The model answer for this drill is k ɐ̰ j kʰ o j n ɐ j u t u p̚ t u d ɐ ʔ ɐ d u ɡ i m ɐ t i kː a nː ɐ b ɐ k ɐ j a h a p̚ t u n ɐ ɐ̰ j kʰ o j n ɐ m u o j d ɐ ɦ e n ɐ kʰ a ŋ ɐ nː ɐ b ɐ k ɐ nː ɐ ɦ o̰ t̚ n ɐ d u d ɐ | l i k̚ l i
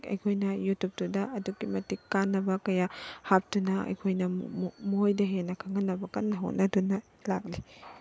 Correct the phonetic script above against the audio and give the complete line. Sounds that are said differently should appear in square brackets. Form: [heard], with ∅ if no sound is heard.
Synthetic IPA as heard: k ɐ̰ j kʰ o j n ɐ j u t u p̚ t u d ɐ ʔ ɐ d u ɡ i m ɐ t i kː a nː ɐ b ɐ k ɐ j a h a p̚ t u n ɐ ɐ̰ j kʰ o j n ɐ m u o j d ɐ ɦ e n ɐ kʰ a ŋ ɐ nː ɐ b ɐ k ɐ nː ɐ ɦ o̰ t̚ n ɐ d u [n] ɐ | l [a] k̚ l i